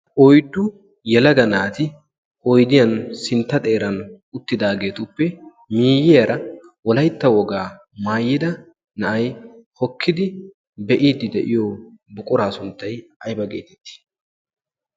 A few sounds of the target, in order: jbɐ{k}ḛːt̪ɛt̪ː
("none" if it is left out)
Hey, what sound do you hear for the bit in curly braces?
ɡ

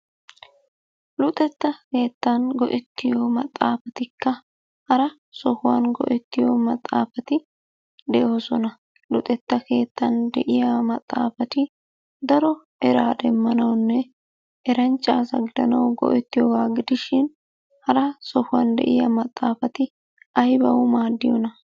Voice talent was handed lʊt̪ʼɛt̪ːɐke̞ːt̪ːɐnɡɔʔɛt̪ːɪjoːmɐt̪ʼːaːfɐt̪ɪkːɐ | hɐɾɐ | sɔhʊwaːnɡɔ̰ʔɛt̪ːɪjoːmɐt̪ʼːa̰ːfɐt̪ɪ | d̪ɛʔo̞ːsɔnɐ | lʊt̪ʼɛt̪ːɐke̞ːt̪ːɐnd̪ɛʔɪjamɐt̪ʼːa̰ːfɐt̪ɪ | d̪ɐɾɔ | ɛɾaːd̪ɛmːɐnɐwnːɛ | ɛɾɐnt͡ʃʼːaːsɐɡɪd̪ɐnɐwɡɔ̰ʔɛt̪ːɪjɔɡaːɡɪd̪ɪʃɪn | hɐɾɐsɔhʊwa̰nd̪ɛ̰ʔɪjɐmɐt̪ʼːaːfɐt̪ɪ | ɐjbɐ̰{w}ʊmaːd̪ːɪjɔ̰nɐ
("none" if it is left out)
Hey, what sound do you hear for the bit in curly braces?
w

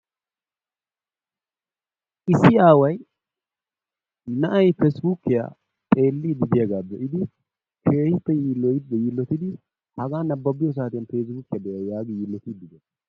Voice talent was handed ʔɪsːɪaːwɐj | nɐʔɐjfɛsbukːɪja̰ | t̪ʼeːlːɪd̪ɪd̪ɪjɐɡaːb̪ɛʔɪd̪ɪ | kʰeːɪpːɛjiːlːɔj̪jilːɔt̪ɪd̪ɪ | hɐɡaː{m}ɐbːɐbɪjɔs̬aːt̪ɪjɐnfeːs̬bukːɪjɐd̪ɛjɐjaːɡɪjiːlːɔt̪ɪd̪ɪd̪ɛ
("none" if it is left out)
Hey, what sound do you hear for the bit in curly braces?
n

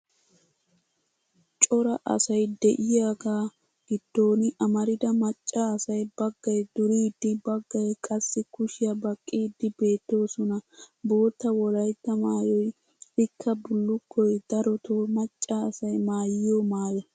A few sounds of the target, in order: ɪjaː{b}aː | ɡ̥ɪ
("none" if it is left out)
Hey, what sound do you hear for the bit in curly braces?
ɡ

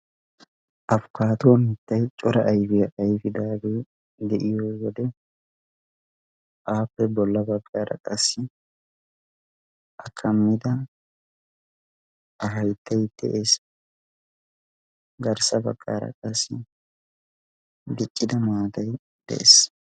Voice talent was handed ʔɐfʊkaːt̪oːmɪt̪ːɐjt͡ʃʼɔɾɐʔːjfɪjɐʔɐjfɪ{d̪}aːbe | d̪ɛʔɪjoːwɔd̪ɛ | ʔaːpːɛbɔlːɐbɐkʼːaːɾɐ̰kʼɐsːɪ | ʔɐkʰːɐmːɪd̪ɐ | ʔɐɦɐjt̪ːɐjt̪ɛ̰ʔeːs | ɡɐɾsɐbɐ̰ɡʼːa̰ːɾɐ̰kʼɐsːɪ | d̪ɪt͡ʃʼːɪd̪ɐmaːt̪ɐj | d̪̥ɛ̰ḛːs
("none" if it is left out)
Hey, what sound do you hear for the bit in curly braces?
d̪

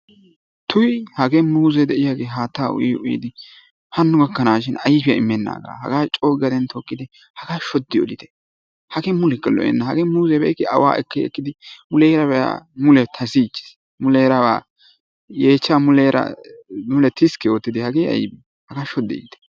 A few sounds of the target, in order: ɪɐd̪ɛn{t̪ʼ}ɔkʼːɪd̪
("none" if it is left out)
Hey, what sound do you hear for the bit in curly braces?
t̪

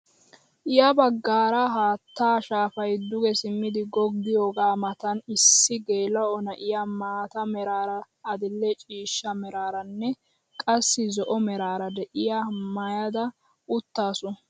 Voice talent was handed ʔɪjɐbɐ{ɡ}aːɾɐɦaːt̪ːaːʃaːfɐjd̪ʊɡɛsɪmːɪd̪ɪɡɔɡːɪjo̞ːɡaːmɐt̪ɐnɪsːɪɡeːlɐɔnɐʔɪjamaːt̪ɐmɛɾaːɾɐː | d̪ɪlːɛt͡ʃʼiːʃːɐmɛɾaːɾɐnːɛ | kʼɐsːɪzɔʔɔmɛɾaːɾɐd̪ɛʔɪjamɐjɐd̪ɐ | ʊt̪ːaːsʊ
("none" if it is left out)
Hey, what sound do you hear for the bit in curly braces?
ɡː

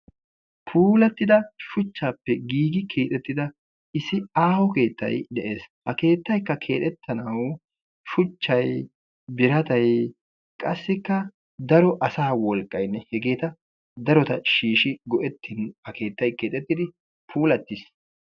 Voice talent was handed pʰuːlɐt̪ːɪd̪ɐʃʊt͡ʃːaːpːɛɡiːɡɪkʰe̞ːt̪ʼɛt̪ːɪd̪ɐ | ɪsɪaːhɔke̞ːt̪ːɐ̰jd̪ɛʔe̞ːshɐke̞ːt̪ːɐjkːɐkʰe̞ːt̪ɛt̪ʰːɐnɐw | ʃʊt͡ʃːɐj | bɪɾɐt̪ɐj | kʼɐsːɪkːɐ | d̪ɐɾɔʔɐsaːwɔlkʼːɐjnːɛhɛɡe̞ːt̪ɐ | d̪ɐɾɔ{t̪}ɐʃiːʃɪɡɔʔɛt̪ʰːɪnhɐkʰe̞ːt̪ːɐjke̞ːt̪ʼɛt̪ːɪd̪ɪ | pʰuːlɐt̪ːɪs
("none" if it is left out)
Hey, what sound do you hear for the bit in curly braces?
t̪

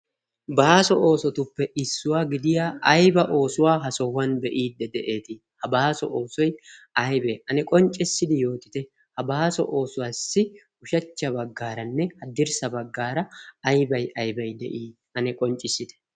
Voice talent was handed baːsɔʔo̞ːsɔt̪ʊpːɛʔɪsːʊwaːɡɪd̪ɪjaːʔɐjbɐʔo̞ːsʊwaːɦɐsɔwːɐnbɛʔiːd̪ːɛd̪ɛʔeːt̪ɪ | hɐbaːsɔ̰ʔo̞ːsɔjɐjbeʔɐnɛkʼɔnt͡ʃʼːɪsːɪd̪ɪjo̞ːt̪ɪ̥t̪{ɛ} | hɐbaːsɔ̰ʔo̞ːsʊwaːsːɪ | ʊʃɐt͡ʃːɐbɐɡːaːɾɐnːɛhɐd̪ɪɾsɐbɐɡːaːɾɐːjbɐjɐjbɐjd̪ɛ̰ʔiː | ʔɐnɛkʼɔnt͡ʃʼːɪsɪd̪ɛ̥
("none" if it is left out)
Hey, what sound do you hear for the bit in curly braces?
ɛ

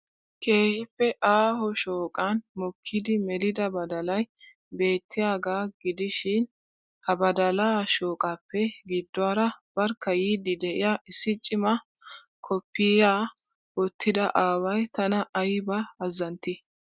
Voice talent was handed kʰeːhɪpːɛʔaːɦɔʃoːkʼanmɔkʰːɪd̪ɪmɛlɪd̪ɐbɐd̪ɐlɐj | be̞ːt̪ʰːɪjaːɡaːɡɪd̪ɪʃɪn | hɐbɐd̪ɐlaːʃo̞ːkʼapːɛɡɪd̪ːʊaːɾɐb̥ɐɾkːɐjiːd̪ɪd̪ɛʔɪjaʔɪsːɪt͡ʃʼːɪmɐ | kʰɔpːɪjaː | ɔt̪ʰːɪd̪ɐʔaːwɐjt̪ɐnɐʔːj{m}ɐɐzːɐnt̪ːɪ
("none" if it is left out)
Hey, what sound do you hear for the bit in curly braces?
b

